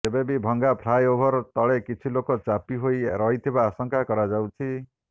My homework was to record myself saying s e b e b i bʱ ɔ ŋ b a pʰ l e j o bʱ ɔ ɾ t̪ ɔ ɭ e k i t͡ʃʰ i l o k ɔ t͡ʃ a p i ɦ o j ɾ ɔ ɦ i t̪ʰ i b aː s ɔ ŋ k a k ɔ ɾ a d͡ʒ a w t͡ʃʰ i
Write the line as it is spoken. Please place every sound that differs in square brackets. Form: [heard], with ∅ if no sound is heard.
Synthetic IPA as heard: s e b e b i bʱ ɔ ŋ [ɡ] a pʰ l [a] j o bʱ ɔ ɾ t̪ ɔ ɭ e k i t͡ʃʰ i l o k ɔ t͡ʃ a p i ɦ o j ɾ ɔ ɦ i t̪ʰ i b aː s ɔ ŋ k a k ɔ ɾ a d͡ʒ a w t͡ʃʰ i